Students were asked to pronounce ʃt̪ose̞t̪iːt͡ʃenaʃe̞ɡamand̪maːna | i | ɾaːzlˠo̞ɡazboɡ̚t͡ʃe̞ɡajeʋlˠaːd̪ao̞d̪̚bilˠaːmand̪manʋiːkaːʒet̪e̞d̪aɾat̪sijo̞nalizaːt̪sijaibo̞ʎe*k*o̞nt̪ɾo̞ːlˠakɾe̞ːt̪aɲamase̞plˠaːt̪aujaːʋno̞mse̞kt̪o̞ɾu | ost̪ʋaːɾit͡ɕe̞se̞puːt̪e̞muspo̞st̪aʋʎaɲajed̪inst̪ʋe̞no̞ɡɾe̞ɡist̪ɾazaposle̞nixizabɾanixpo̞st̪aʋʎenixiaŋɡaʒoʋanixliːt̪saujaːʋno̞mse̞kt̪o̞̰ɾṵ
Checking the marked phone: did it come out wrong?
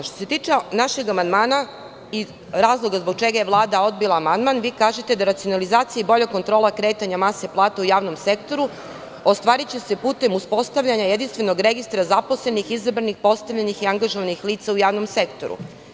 no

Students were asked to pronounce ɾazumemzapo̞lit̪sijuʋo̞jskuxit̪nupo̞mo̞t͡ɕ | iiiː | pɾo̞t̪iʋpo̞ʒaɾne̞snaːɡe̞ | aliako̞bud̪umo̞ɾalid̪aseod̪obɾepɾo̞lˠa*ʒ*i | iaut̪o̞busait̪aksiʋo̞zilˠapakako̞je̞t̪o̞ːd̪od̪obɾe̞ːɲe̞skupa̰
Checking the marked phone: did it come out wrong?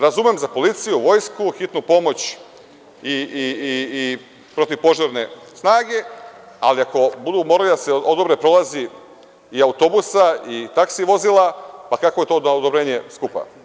yes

